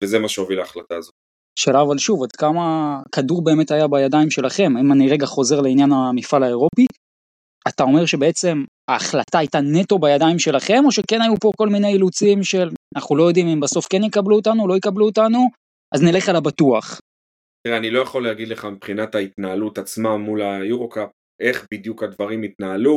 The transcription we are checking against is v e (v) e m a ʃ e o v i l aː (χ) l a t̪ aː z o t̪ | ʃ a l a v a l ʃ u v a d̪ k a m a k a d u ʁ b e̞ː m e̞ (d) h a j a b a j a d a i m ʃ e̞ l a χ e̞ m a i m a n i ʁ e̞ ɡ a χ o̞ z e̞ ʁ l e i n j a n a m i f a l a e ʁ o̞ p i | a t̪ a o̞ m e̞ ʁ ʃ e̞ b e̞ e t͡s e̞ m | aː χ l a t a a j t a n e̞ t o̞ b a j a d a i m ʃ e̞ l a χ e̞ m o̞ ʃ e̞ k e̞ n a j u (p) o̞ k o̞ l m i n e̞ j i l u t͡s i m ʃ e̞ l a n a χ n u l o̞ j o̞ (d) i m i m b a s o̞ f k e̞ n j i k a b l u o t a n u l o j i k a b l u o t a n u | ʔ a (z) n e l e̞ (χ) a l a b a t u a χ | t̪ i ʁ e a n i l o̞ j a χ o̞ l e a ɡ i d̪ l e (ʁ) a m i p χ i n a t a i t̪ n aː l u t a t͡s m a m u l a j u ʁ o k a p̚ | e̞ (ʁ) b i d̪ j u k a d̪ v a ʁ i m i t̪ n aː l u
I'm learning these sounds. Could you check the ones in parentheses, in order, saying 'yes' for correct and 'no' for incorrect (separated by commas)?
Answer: no, yes, no, yes, yes, yes, yes, no, no